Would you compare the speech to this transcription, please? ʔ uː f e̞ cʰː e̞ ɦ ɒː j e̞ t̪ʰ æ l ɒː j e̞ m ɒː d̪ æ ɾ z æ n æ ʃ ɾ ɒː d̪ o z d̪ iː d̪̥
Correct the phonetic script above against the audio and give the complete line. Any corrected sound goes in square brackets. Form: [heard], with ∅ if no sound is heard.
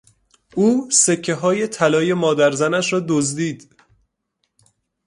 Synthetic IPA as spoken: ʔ uː [s] e̞ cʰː e̞ ɦ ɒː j e̞ t̪ʰ æ l ɒː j e̞ m ɒː d̪ æ ɾ z æ n æ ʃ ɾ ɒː d̪ o z d̪ iː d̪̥